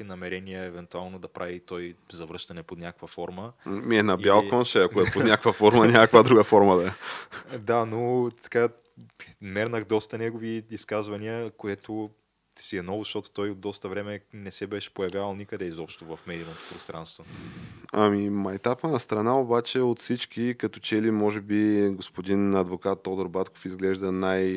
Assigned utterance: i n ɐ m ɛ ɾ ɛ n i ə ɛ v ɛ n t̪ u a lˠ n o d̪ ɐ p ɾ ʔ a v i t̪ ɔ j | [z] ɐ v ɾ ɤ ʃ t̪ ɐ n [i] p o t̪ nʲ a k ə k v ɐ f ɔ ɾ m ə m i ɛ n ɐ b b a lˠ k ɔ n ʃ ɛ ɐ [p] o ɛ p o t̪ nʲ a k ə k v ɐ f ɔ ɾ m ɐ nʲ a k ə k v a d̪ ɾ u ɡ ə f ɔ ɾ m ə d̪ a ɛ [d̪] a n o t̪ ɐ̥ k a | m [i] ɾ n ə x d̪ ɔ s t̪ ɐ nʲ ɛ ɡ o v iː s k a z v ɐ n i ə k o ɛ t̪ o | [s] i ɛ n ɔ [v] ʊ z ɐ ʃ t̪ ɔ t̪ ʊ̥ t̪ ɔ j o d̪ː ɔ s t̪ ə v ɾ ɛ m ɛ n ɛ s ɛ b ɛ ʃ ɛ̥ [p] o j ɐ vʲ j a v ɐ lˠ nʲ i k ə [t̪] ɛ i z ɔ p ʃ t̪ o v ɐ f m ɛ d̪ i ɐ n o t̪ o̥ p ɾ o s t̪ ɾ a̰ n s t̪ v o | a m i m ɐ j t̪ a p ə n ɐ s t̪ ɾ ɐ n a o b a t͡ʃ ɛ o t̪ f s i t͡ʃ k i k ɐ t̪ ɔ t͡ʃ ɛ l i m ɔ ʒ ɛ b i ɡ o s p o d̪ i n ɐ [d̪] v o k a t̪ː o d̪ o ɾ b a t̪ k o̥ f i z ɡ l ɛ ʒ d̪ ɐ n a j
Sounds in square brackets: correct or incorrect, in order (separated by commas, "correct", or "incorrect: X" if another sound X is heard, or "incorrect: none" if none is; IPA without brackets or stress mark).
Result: correct, incorrect: ɛ, incorrect: k, correct, incorrect: ɛ, correct, correct, correct, incorrect: d̪, correct